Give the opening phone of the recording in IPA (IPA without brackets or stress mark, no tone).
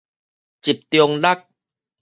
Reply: t͡ɕ